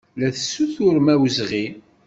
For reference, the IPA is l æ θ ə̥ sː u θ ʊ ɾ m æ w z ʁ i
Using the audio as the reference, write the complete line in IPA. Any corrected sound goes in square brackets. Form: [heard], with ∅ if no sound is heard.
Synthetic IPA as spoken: l æ θ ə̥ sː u θ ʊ ɾ m æ w z ʁ i